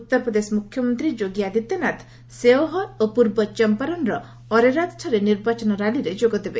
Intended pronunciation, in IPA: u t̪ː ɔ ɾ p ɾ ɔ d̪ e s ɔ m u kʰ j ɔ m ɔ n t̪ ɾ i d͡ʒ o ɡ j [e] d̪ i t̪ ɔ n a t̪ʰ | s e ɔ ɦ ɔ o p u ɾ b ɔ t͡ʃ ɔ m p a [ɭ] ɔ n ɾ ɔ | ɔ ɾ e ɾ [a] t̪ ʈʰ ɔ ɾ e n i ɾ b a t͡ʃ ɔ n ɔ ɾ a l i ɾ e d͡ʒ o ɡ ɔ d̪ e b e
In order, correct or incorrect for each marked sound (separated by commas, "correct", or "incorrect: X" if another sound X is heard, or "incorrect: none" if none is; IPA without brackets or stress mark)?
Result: incorrect: a, incorrect: ɾ, correct